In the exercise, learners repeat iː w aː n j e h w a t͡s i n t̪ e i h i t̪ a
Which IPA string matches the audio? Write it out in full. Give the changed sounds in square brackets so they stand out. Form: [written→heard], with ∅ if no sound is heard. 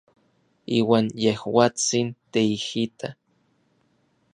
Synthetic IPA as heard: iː w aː n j e h w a t͡s i n t̪ e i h i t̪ a